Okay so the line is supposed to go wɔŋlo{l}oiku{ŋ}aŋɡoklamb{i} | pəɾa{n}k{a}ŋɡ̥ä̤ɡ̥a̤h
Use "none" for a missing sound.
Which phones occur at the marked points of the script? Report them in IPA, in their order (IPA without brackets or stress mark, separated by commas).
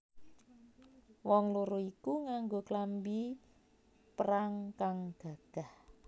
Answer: ɾ, ŋ, i, ŋ, a